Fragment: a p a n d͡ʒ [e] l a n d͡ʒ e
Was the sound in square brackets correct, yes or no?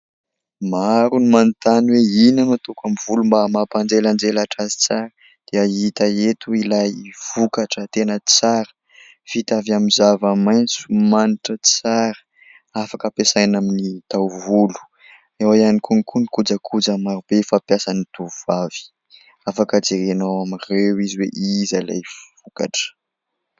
yes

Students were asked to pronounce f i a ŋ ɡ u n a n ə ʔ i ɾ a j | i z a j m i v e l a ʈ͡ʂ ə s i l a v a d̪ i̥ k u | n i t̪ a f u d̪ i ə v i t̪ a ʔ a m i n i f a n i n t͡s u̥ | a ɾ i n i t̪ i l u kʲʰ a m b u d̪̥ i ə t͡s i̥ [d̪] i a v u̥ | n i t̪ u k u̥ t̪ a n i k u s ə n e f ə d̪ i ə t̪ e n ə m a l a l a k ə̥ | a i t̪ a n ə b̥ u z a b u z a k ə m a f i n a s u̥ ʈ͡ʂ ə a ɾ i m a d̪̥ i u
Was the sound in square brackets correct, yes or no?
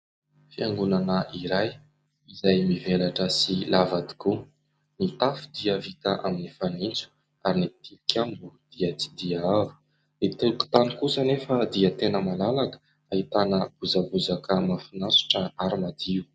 yes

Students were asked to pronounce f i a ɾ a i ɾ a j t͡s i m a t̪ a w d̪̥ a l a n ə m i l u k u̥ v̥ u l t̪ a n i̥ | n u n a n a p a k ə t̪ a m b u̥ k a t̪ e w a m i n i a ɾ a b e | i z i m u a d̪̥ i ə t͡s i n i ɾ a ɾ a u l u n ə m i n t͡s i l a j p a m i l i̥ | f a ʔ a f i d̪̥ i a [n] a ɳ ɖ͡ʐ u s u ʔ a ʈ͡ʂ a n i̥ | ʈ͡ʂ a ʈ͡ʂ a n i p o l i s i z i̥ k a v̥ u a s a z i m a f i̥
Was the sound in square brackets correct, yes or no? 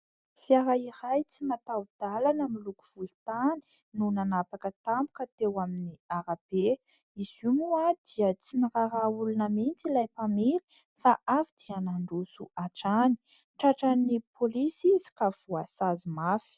yes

